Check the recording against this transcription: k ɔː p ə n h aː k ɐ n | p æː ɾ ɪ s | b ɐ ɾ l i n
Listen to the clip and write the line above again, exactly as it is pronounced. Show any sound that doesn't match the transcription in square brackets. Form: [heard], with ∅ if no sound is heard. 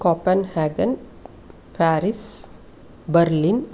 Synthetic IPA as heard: k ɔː p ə n h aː [ɡ] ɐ n | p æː ɾ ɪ s | b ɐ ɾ l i n